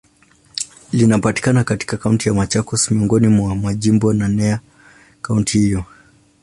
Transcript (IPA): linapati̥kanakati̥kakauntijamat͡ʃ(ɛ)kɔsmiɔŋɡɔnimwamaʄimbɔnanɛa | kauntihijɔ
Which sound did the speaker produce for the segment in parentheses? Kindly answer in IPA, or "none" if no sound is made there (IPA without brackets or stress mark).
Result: a